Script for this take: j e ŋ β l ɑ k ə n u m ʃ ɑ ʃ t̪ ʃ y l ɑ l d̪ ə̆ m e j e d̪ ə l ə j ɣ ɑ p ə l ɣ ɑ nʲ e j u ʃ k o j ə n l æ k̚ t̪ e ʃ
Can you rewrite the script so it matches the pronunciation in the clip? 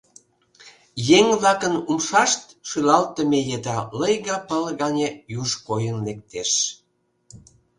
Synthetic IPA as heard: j e ŋ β l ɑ k ə n u m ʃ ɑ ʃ t̪ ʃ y l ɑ l t̪ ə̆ m e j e d̪ ɑ l ə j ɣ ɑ p ə l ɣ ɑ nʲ e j u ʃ k o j ə n l e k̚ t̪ e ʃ